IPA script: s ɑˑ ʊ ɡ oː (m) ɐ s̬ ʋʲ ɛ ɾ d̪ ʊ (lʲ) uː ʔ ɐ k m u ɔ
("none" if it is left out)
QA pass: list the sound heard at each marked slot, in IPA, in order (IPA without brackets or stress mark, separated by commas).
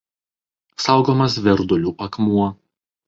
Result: m, lʲ